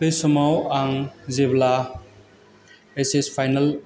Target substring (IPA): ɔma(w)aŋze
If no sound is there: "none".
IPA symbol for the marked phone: w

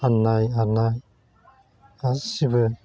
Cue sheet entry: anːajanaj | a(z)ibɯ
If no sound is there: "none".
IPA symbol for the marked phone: s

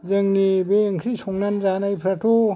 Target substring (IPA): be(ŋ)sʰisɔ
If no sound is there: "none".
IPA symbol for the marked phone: ŋ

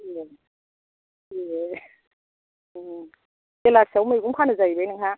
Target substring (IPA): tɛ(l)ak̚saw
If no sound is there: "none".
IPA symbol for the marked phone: l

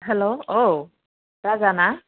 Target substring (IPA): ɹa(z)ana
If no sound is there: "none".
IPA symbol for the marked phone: z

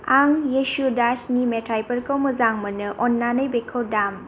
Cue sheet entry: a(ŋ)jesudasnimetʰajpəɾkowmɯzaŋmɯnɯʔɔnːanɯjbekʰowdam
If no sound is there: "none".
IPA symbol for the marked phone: ŋ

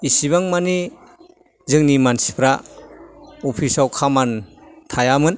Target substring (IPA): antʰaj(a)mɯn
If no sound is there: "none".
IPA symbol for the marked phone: a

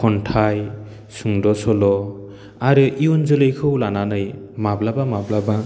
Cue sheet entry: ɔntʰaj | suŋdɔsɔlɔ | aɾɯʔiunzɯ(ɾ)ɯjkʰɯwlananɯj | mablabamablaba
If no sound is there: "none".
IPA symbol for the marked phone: l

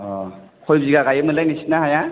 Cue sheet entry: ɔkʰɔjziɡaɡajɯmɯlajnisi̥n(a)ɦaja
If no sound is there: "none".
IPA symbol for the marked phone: a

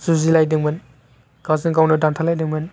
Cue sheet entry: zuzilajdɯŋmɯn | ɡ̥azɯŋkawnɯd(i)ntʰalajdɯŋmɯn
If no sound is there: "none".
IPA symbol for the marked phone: a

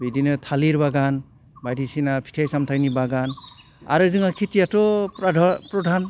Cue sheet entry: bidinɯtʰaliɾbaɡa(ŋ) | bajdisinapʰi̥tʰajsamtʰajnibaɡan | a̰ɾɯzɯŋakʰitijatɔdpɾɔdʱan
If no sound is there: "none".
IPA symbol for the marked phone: n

